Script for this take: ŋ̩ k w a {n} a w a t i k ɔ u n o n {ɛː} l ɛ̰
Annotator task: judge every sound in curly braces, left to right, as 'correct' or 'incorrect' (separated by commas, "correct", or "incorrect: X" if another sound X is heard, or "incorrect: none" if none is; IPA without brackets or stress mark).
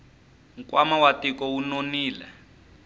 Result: incorrect: m, incorrect: iː